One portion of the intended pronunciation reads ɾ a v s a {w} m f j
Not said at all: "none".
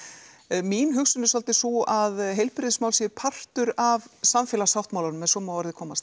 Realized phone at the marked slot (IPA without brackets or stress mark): none